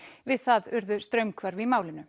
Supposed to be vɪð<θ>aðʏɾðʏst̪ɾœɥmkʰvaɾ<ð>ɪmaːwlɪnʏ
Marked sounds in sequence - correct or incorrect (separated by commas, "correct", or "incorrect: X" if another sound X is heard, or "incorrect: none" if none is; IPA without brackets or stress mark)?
correct, incorrect: v